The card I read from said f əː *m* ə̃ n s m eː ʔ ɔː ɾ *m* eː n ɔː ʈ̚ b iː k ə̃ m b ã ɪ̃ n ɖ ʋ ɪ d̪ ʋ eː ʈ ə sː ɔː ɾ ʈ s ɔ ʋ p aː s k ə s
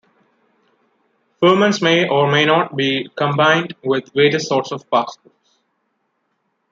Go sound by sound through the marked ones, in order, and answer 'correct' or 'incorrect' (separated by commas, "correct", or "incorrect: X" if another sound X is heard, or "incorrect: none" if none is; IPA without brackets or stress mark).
correct, correct